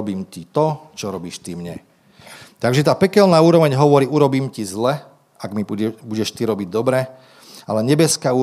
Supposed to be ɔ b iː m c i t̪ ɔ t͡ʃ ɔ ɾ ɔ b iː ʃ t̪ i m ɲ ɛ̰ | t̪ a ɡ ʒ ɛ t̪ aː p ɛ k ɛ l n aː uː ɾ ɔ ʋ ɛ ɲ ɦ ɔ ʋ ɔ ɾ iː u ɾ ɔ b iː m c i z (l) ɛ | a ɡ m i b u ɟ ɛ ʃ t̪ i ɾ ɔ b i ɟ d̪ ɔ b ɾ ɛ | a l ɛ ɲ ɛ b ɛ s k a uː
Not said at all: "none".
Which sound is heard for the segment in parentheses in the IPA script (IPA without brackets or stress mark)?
l